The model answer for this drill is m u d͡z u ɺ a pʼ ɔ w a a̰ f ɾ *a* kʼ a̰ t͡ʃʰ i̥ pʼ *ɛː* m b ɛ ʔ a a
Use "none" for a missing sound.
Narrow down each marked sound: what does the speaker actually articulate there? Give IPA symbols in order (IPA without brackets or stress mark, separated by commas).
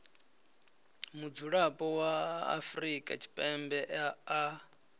i, ɛ